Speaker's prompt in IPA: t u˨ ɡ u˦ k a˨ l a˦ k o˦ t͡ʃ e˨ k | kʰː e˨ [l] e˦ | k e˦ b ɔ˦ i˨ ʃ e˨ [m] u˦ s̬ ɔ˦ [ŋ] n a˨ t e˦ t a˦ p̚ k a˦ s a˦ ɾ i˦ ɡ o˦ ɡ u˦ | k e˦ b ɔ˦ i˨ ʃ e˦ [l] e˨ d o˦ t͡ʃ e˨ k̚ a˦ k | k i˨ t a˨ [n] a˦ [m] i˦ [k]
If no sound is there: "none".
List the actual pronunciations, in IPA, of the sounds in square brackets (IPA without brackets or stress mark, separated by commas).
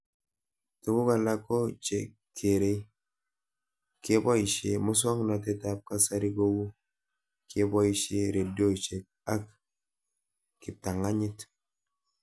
ɾ, m, ŋ, ɾ, ŋ, ɲ, t